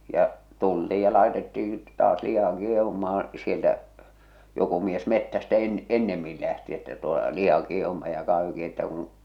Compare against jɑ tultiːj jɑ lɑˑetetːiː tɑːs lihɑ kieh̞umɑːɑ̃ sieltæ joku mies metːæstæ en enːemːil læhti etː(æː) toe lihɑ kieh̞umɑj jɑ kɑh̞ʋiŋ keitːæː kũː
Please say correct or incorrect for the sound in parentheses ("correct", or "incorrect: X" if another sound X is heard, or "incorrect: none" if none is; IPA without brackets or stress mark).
incorrect: æ